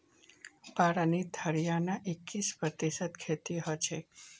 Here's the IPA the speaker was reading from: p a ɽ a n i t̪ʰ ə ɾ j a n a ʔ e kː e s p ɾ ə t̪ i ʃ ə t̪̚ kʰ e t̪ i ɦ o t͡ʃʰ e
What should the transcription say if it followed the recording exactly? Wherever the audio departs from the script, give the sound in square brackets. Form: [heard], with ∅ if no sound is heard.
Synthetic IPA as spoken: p a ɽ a n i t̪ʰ ə ɾ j a n a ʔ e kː [i] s p ɾ ə t̪ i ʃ ə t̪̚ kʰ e t̪ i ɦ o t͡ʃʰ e